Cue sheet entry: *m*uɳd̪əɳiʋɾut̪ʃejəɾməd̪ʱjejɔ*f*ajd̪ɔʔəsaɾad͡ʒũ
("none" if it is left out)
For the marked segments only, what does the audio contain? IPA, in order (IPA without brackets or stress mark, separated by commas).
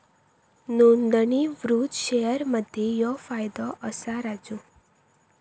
n, f